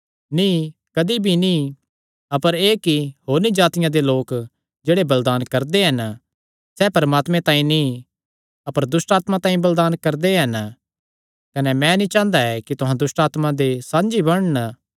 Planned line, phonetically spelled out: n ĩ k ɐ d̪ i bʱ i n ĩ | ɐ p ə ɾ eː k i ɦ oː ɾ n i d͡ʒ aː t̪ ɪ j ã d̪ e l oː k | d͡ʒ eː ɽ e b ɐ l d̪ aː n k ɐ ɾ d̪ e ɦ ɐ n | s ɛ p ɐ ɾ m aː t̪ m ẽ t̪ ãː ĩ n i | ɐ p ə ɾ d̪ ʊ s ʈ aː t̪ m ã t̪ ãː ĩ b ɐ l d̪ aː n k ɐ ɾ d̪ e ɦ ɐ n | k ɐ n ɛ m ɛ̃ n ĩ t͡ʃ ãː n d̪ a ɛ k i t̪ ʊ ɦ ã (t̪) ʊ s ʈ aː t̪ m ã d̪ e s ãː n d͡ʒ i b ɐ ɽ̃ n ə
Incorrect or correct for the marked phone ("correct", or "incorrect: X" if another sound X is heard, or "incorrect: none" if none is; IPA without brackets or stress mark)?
incorrect: d̪